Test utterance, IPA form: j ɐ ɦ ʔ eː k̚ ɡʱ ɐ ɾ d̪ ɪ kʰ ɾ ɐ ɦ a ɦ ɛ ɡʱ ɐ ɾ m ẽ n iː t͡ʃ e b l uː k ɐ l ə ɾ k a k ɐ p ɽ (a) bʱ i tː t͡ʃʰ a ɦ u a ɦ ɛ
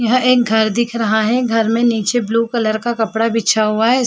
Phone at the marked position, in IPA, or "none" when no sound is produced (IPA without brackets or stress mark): a